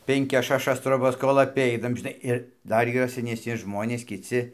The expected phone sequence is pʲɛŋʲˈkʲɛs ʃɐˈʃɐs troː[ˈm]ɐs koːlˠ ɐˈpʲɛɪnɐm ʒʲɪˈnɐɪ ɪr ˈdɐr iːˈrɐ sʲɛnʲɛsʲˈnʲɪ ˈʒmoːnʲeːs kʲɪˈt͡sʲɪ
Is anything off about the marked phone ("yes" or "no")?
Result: yes